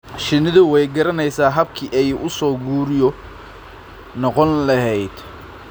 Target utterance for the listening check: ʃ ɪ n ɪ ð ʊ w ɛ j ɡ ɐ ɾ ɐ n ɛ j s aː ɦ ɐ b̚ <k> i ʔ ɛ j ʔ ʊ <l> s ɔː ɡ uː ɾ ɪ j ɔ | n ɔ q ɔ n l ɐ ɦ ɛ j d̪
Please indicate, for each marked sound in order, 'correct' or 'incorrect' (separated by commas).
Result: incorrect, incorrect